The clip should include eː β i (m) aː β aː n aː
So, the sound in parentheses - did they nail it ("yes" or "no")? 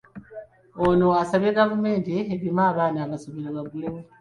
yes